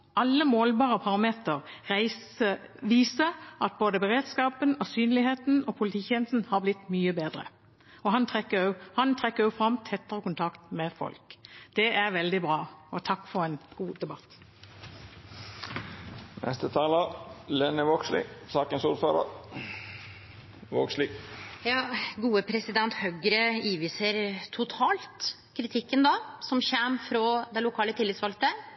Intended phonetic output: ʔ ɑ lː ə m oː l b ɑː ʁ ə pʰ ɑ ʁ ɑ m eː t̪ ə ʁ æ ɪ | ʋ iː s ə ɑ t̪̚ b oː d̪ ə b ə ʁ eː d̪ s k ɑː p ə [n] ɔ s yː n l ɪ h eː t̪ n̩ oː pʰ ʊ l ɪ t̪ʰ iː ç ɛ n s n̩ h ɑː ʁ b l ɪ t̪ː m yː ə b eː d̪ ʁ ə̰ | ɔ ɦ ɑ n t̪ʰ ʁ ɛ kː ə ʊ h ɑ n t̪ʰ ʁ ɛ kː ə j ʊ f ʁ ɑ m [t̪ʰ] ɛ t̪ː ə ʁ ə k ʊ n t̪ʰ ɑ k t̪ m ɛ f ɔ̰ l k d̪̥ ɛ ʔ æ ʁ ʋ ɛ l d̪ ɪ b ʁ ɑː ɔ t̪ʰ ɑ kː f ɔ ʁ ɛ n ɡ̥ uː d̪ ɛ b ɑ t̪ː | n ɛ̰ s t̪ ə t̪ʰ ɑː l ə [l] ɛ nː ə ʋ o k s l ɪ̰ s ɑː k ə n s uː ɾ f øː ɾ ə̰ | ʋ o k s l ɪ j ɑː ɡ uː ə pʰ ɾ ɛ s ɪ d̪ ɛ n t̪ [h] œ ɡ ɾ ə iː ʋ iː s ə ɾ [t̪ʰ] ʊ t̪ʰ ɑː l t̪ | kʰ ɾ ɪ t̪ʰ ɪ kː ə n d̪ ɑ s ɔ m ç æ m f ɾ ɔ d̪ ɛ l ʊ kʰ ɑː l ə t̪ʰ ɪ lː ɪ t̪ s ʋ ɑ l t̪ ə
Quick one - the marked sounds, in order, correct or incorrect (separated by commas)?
correct, correct, correct, correct, correct